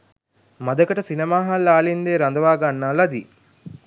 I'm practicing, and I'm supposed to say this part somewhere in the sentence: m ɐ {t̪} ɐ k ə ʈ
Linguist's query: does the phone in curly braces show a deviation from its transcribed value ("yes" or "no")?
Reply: yes